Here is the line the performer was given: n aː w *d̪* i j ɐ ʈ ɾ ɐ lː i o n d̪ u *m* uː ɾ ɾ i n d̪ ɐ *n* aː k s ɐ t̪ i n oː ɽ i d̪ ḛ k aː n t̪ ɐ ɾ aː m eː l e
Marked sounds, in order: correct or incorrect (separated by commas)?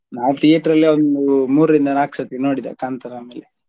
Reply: incorrect, correct, correct